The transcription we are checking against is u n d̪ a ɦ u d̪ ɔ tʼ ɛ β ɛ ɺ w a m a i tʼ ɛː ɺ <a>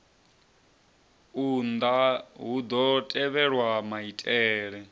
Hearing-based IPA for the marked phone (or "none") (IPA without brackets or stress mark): ɛ